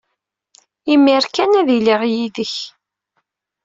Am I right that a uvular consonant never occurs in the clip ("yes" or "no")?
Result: no